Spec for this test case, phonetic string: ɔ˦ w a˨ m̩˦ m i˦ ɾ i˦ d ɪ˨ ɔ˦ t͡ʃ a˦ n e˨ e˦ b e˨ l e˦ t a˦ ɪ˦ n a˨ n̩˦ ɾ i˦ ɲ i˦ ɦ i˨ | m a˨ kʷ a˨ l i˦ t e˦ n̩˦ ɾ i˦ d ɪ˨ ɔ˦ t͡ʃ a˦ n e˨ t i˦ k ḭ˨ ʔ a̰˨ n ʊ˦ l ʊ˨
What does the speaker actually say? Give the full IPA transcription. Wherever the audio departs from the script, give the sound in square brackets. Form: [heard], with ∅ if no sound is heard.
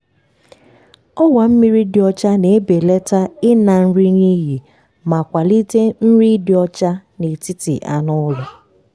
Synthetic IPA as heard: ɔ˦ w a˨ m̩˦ m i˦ ɾ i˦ d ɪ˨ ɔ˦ t͡ʃ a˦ n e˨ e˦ b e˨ l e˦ t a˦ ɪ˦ n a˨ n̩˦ ɾ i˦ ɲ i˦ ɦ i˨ | m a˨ kʷ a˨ l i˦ t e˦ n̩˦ ɾ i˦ d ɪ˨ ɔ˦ t͡ʃ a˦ n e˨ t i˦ [t] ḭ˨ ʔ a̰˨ n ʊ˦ l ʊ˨